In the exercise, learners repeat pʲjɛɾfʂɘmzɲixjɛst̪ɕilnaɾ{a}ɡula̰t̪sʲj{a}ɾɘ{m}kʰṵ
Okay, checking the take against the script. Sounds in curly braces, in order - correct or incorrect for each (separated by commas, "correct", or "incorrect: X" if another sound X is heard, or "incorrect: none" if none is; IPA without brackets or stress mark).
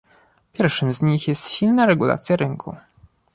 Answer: incorrect: ɛ, correct, incorrect: ŋ